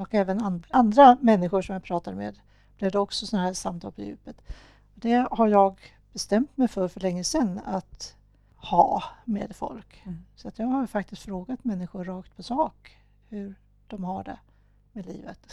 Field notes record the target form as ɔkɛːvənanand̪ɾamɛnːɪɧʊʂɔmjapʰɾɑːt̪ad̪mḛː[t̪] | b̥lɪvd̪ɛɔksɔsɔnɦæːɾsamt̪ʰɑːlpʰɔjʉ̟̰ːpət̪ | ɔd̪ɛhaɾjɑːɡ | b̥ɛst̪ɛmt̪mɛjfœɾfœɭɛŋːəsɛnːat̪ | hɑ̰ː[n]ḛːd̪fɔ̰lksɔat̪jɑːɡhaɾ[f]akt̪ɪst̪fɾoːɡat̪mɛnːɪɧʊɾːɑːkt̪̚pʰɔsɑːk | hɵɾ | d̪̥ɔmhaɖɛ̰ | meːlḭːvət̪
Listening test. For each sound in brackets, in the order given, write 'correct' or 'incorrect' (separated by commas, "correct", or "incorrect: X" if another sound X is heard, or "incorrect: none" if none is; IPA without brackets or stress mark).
incorrect: d̪, incorrect: m, correct